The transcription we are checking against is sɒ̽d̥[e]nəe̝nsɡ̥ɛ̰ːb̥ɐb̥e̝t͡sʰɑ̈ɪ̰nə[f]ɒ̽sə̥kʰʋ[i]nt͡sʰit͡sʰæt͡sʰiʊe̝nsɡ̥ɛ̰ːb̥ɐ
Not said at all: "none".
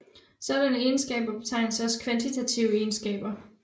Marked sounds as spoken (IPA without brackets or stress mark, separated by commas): æ, s, æ